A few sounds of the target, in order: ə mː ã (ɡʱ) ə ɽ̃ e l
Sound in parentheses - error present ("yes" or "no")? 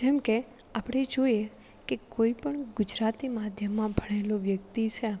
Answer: yes